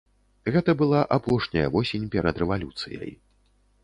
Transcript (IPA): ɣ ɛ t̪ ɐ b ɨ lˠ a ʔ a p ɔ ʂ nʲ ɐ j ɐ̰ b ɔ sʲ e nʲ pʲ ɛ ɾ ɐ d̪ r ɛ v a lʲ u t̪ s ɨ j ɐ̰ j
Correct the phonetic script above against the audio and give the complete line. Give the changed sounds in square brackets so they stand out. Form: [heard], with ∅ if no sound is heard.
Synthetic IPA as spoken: ɣ ɛ t̪ ɐ b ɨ lˠ a ʔ a p ɔ ʂ nʲ ɐ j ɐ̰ [v] ɔ sʲ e nʲ pʲ ɛ ɾ ɐ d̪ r ɛ v a lʲ u t̪ s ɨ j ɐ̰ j